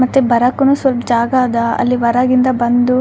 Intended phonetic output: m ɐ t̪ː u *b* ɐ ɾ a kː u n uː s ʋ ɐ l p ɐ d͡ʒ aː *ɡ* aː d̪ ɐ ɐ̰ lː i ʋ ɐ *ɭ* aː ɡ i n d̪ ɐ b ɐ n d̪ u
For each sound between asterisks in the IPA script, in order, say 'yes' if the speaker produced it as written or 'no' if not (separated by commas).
yes, yes, no